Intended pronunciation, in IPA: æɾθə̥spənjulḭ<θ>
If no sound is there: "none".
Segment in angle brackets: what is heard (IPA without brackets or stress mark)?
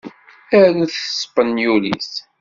s